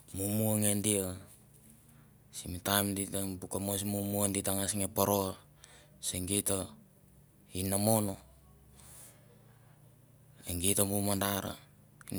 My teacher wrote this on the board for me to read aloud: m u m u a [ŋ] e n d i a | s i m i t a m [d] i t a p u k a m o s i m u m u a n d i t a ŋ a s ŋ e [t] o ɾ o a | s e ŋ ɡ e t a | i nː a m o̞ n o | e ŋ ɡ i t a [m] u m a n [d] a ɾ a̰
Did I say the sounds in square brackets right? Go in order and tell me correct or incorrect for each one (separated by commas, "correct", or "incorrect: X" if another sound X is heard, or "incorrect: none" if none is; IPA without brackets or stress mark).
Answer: correct, correct, incorrect: p, correct, correct